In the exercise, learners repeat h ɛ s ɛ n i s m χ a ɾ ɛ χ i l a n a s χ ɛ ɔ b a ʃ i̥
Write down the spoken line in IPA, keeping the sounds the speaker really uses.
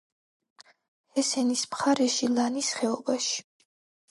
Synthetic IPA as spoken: h ɛ s ɛ n i s m χ a ɾ ɛ ʃ i l a n i s χ ɛ ɔ b a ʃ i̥